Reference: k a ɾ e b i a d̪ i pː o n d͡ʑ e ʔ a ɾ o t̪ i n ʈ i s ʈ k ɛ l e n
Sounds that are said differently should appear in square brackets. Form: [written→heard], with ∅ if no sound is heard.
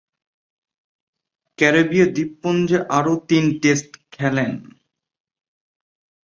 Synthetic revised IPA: k [a→ɛ] ɾ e b i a d̪ i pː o n d͡ʑ e ʔ a ɾ o t̪ i n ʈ [i→e] s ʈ [k→kʰ] ɛ l e n